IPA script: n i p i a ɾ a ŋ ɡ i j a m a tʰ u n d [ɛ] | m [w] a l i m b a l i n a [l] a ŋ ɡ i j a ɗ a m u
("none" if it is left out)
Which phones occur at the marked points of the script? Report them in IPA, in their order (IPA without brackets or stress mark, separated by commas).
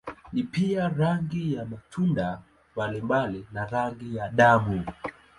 a, b, ɾ